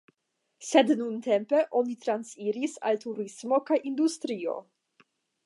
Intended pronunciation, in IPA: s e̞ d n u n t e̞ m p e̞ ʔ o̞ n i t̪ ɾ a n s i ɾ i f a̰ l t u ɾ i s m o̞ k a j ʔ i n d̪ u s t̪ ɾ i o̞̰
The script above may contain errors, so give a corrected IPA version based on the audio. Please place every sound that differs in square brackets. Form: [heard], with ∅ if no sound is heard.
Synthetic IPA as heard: s e̞ d n u n t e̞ m p e̞ ʔ o̞ n i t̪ ɾ a n s i ɾ i [s] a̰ l t u ɾ i s m o̞ k a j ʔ i n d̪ u s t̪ ɾ i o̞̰